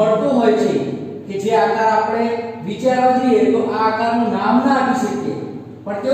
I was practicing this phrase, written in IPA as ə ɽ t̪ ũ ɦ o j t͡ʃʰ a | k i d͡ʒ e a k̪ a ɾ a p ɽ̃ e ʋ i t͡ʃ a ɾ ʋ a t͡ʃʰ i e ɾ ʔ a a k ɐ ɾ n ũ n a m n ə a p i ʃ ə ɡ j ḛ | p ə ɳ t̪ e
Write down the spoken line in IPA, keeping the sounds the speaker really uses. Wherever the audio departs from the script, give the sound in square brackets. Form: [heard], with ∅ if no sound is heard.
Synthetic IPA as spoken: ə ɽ t̪ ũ ɦ o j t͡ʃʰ [e] | k [e] d͡ʒ e a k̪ a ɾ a p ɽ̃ e ʋ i t͡ʃ a ɾ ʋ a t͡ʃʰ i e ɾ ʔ a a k [a] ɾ n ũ n a m n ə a p i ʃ ə [k] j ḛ | p ə ɳ t̪ e